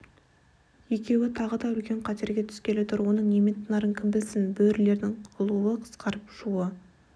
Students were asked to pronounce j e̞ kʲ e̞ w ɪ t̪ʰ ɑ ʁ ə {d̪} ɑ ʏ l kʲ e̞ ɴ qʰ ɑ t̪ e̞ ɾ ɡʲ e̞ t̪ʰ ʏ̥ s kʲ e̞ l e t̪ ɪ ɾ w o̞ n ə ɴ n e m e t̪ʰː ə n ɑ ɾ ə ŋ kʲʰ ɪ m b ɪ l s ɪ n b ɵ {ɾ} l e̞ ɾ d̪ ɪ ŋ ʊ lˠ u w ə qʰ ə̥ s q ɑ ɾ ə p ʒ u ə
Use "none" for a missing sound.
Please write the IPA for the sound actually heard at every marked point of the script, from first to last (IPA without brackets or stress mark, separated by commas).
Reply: d̪, ɾ